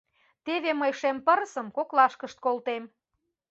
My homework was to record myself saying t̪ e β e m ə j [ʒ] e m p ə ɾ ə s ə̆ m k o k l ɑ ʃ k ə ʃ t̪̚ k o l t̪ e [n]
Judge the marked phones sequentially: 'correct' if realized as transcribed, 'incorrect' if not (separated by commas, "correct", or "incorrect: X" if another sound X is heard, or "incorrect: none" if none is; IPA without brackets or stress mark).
incorrect: ʃ, incorrect: m